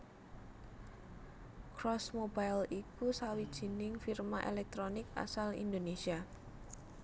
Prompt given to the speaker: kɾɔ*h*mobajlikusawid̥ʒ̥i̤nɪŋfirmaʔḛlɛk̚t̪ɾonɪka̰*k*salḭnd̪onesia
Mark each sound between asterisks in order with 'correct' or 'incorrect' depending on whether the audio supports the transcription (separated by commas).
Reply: incorrect, incorrect